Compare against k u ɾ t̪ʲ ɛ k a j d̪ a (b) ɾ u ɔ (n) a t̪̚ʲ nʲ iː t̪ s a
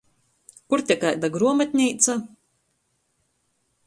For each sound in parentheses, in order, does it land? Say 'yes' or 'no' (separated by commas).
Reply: no, no